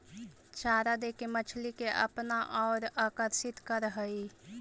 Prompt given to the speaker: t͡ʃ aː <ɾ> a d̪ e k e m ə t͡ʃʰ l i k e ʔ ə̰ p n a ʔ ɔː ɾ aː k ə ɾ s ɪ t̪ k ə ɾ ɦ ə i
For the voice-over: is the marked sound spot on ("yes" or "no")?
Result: yes